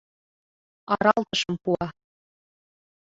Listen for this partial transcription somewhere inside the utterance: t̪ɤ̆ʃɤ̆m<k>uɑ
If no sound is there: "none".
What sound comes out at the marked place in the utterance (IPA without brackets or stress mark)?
p